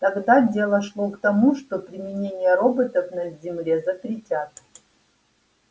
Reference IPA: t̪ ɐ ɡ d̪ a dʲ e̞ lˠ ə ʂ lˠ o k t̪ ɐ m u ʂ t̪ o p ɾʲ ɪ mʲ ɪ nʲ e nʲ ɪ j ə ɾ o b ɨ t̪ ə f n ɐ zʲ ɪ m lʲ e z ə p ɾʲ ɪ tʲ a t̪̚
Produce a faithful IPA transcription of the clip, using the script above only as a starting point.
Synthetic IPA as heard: t̪ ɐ ɡ d̪ a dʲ e̞ lˠ ə ʂ lˠ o k t̪ ɐ m u ʂ t̪ o p ɾʲ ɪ mʲ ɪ nʲ e nʲ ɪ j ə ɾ o b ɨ t̪ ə f n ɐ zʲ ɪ m lʲ e z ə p ɾʲ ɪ tʲ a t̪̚